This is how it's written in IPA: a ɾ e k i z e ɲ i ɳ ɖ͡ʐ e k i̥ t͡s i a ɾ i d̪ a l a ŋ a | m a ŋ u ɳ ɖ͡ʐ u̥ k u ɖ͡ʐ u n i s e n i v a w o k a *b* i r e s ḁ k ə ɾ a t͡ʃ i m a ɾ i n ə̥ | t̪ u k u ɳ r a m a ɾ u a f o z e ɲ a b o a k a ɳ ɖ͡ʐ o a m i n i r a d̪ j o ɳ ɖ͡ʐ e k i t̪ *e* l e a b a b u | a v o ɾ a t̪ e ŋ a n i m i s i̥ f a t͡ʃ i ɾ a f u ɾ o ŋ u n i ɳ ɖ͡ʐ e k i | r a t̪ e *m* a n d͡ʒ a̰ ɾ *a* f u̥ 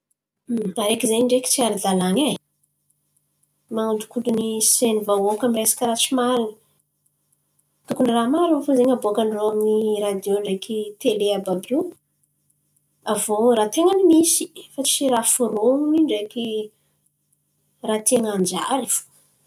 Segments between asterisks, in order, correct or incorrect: incorrect: m, correct, incorrect: ŋ, incorrect: i

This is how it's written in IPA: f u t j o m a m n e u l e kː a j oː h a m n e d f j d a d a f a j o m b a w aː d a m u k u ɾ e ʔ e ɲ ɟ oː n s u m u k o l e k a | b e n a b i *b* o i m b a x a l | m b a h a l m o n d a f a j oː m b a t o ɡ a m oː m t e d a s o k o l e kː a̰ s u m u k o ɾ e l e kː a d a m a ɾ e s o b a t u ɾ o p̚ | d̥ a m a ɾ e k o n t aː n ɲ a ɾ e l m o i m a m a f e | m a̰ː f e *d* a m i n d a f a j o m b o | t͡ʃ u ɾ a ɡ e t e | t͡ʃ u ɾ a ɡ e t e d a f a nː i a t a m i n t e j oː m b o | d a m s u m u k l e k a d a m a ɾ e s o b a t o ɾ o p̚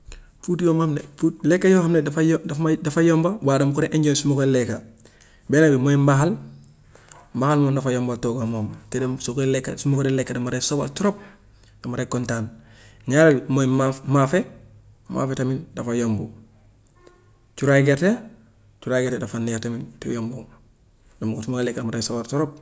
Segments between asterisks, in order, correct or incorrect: incorrect: m, incorrect: t

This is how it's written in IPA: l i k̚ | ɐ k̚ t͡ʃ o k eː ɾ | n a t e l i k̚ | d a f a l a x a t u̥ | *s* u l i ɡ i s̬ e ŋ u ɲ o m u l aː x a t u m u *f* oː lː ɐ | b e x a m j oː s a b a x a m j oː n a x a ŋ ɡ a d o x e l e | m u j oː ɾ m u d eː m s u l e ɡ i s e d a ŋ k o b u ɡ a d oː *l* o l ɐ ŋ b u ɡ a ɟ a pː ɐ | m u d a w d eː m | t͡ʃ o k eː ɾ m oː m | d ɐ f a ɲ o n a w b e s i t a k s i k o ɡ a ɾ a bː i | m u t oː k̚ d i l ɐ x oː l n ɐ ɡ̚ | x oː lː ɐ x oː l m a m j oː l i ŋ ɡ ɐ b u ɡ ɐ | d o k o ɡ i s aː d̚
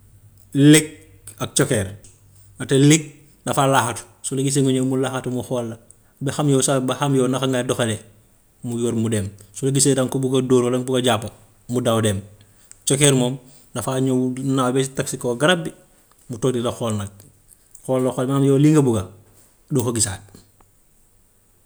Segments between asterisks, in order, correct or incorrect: correct, incorrect: x, incorrect: ɾ

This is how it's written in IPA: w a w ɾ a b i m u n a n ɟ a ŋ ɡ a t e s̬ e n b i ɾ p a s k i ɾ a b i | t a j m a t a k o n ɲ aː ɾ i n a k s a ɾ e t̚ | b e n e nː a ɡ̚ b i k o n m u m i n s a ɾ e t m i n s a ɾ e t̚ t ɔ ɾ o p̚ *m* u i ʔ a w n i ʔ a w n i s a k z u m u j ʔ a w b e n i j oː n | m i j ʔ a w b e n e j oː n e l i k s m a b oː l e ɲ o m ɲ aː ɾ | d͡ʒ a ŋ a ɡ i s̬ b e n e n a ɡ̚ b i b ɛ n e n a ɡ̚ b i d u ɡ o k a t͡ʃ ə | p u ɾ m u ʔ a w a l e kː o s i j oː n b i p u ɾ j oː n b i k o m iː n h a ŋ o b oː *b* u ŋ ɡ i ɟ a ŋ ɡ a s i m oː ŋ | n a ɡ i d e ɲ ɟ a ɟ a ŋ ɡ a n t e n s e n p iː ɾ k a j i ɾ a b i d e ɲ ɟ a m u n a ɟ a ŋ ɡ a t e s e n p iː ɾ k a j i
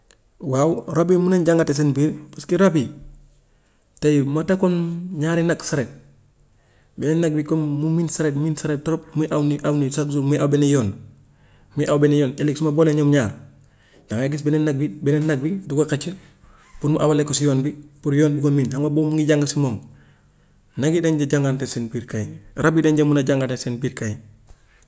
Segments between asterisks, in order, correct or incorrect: correct, incorrect: m

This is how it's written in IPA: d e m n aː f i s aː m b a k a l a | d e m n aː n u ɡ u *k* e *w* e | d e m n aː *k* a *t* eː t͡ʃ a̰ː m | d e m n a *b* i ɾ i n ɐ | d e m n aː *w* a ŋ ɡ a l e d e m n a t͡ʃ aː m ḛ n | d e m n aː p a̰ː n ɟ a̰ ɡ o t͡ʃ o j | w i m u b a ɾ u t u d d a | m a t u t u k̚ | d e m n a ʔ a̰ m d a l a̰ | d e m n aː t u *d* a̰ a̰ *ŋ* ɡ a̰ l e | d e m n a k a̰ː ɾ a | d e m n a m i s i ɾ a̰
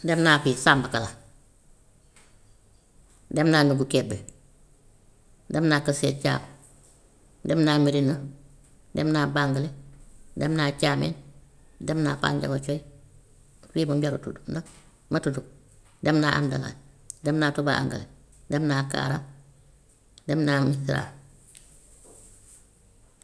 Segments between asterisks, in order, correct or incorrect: correct, incorrect: b, correct, incorrect: s, incorrect: m, incorrect: b, incorrect: b, correct

